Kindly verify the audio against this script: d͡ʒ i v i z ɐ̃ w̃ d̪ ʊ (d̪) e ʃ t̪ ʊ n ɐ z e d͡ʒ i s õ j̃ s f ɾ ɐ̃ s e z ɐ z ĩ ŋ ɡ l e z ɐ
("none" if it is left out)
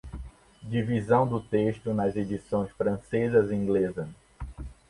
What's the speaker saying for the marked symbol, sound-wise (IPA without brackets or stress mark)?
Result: t̪